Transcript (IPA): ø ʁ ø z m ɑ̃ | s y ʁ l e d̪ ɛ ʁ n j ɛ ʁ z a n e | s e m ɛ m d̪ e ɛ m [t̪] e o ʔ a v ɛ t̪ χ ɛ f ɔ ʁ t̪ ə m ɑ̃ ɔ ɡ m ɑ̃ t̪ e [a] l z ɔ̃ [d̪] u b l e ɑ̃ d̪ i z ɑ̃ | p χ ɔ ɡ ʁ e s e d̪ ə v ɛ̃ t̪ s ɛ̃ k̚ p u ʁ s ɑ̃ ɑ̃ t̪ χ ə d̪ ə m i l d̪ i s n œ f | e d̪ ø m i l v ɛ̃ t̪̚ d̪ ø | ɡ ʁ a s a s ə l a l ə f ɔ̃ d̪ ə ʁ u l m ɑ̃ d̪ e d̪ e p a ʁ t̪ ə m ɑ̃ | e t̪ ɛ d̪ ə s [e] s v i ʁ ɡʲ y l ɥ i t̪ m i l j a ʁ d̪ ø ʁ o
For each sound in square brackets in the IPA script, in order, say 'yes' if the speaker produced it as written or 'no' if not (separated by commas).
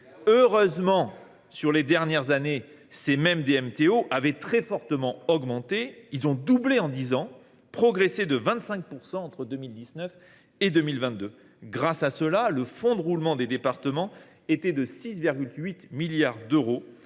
yes, no, yes, no